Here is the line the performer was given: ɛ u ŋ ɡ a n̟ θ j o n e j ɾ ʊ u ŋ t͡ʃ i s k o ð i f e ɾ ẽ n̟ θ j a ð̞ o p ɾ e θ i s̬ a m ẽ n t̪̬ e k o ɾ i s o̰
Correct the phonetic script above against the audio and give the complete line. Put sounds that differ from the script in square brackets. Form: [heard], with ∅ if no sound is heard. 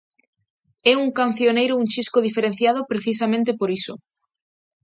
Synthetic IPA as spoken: ɛ u ŋ [k] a n̟ θ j o n e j ɾ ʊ u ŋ t͡ʃ i s k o ð i f e ɾ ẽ n̟ θ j a ð̞ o p ɾ e θ i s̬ a m ẽ n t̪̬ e [p] o ɾ i s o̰